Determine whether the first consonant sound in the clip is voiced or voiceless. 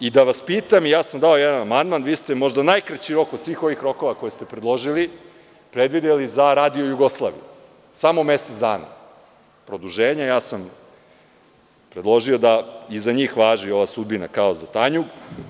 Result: voiced